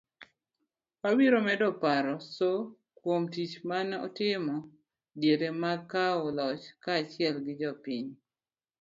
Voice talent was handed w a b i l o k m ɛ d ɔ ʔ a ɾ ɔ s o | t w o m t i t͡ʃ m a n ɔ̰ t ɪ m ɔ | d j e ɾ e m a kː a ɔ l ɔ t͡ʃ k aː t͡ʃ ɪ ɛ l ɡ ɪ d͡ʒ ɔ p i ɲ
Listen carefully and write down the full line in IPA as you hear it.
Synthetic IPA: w a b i ɾ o m ɛ d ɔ p a ɾ ɔ s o | k w o m t i t͡ʃ m a n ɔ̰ t ɪ m ɔ | d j e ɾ e m a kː a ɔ l ɔ t͡ʃ k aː t͡ʃ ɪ ɛ l ɡ ɪ d͡ʒ ɔ p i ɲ